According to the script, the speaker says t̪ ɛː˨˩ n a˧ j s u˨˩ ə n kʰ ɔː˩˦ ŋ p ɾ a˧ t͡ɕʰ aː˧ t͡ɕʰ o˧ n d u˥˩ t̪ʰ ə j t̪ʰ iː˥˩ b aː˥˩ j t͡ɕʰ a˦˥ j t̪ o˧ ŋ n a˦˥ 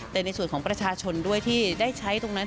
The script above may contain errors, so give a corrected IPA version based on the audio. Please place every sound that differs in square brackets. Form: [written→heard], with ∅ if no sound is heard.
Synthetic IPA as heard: t̪ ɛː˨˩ n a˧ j s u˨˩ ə n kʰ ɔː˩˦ ŋ p ɾ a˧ t͡ɕʰ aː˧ t͡ɕʰ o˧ n d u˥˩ [t̪ʰ→∅] ə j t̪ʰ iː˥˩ [b→d] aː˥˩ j t͡ɕʰ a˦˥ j t̪ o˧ ŋ n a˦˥